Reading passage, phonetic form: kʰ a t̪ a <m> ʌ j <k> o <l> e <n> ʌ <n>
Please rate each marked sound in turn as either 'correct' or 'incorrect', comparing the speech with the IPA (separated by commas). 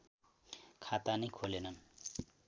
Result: incorrect, incorrect, correct, correct, correct